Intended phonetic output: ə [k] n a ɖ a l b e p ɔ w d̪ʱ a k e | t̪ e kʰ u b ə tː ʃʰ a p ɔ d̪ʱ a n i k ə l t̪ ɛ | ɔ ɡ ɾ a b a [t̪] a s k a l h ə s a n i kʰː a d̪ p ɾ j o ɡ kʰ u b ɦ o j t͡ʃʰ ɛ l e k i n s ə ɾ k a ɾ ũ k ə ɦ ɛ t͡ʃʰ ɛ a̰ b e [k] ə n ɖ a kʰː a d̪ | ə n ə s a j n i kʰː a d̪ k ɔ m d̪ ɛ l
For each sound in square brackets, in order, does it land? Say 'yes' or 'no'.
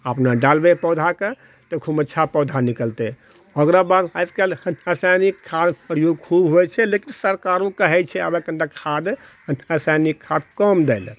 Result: no, no, yes

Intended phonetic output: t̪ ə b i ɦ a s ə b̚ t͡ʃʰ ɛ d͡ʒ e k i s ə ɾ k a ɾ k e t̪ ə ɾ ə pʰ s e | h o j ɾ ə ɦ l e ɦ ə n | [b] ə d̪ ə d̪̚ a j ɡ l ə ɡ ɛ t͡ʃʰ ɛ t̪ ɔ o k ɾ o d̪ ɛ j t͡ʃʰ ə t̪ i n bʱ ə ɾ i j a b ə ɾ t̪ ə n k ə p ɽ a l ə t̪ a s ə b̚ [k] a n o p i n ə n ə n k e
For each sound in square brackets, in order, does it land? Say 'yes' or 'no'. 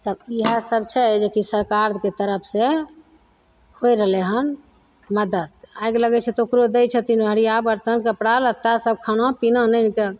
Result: no, no

